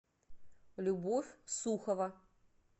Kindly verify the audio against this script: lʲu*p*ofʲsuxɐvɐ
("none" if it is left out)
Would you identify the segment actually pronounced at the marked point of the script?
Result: b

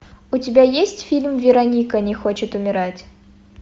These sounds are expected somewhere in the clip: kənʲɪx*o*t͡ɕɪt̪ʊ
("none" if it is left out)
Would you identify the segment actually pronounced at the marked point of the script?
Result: o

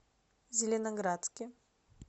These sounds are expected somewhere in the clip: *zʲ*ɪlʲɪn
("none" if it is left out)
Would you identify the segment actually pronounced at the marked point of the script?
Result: zʲ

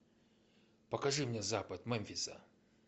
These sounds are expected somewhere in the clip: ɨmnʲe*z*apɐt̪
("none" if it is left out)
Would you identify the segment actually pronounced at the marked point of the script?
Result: z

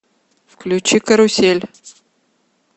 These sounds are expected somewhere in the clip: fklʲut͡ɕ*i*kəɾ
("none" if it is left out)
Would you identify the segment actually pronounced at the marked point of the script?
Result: i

